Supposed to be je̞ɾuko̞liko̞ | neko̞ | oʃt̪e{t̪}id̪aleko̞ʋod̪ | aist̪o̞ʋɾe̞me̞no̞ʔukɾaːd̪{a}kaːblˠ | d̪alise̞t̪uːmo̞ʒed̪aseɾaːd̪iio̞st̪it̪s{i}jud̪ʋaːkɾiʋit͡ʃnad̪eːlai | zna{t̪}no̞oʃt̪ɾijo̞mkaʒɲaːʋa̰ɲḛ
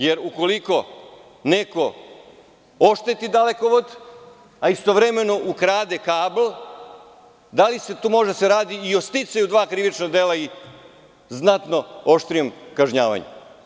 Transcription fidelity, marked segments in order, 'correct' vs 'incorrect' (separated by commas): correct, incorrect, incorrect, correct